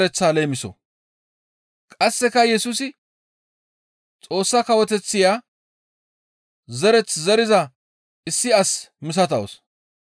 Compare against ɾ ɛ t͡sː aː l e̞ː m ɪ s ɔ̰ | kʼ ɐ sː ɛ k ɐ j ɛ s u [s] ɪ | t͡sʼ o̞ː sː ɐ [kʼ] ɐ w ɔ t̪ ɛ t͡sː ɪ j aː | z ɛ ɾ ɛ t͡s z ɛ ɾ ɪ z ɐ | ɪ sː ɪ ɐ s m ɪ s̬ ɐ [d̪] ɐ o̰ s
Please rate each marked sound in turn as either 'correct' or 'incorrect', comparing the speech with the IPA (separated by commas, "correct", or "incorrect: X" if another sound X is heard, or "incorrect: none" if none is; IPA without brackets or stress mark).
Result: correct, incorrect: k, incorrect: t̪